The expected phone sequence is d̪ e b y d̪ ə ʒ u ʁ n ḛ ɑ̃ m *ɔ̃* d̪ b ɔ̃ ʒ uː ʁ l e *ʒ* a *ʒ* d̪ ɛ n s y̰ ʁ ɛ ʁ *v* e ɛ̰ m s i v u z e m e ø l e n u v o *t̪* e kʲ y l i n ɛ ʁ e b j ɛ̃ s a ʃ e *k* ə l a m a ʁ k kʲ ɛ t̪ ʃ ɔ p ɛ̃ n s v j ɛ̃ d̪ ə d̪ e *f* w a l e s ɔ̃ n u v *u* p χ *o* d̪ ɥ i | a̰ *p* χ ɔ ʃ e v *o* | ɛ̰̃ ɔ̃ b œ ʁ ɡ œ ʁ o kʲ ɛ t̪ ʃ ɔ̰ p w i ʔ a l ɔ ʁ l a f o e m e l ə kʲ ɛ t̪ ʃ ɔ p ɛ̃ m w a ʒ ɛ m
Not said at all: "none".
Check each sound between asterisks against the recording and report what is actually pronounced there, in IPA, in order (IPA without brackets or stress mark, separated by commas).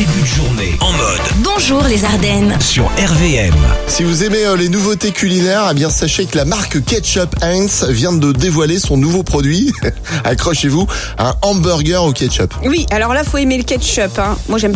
ɔ, z, ʁ, v, t̪, k, v, o, ɔ, k, u